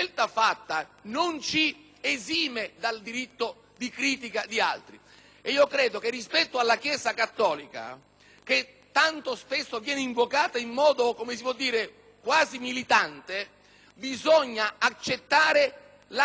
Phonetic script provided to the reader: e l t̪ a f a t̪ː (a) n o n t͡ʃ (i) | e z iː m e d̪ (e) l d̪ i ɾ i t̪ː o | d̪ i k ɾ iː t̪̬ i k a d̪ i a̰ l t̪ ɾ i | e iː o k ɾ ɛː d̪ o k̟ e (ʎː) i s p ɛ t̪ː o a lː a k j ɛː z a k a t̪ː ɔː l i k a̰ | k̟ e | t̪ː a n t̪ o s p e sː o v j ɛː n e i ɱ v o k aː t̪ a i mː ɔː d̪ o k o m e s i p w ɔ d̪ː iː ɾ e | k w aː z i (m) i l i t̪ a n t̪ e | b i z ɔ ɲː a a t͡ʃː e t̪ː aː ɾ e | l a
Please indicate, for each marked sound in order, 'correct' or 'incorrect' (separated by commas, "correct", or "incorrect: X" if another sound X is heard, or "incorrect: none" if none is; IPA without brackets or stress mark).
correct, correct, incorrect: a, incorrect: rː, correct